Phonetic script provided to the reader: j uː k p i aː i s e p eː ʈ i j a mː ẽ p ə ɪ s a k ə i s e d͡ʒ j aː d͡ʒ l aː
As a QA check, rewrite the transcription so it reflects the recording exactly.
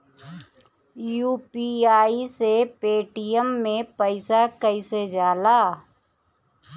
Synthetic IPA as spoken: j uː p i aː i s e p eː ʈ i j ə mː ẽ p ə ɪ s a k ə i s e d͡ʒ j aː l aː